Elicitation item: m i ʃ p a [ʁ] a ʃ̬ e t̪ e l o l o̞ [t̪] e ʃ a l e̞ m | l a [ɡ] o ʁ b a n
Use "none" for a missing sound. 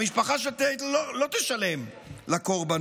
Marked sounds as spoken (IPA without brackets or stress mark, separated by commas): χ, t̪, k